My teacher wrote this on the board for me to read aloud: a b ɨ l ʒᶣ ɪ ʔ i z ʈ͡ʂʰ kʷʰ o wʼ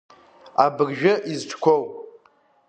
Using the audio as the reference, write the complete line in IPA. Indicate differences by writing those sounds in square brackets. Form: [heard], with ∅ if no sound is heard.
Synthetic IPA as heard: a b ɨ [r] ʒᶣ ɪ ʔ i z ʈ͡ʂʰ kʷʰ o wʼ

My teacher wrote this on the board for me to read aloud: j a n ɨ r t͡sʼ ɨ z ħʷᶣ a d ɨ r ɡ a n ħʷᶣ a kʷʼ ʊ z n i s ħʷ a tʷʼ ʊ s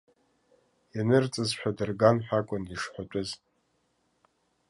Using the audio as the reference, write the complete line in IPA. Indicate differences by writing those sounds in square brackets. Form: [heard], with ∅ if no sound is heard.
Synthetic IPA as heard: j a n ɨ r t͡sʼ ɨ z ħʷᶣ a d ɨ r ɡ a n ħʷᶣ a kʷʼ ʊ [∅] n i [ʂ] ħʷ a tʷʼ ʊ [z]

